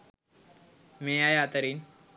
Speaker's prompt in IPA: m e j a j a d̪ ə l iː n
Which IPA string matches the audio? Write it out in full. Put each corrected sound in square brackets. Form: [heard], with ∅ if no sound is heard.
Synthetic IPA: m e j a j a [t̪] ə [ɾ] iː n